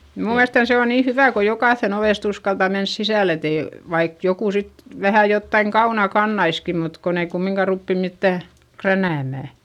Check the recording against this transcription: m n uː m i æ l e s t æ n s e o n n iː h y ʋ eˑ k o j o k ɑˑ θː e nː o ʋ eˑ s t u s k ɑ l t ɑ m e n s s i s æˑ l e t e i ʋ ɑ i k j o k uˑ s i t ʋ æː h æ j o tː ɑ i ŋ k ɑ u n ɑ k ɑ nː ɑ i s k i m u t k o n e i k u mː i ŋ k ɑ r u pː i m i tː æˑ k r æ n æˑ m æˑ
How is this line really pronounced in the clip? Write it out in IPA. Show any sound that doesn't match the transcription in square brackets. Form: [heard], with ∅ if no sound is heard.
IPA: m n uː m i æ l e s t æ n s e o n n iː h y ʋ [æˑ] k o j o k ɑˑ θː e [n] o ʋ eˑ s t u s k ɑ l t ɑ m e n s s i s æˑ l e t e i ʋ ɑ i k j o k uˑ s i t ʋ [æ] h æ j o tː ɑ i ŋ k ɑ u n ɑ k ɑ nː ɑ i s k i m u t k o n e i k u mː i ŋ k ɑ r u pː i m i tː æˑ k r æ n æˑ m æˑ